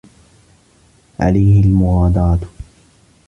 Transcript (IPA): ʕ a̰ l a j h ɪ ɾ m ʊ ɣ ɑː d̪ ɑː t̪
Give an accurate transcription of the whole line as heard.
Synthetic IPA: ʕ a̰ l a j h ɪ l m ʊ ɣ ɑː d̪ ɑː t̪